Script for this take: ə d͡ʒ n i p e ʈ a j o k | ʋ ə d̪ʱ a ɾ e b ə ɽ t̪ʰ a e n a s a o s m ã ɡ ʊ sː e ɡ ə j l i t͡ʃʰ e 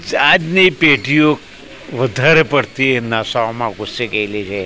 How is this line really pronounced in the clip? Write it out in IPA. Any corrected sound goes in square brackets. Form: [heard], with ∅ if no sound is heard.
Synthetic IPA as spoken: [a] d͡ʒ n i p e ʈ [i] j o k | ʋ ə d̪ʱ a ɾ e [p] ə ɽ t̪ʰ [i] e n a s a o [∅] m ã ɡ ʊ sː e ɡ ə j l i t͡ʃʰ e